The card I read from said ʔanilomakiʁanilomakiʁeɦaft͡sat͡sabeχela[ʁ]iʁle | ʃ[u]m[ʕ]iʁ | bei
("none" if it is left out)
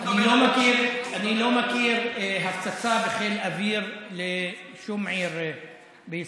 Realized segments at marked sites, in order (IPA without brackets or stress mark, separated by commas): v, u, ʕ